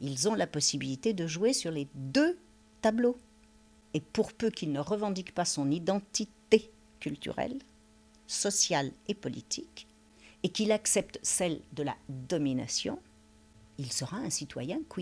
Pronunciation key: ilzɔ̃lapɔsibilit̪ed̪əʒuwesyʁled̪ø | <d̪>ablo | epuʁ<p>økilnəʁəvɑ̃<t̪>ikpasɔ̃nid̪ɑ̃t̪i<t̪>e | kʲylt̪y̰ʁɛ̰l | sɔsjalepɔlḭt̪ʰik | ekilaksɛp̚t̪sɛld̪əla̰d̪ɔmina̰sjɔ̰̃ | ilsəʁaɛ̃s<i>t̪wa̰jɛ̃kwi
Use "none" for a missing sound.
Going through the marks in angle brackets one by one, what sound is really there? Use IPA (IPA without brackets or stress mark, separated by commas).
t̪, p, d̪, t̪, i